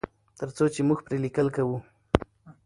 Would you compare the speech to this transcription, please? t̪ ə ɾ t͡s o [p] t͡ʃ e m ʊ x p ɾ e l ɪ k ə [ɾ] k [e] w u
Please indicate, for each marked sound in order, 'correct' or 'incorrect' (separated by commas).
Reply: incorrect, incorrect, incorrect